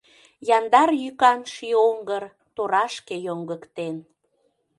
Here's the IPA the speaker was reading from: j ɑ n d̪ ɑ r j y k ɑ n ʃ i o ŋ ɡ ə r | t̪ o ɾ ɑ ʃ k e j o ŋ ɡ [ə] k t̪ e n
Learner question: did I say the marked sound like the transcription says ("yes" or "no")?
yes